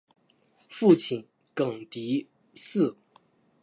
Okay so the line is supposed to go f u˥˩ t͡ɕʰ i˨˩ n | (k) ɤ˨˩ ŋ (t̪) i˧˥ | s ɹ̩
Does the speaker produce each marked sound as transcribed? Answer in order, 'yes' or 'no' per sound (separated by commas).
yes, yes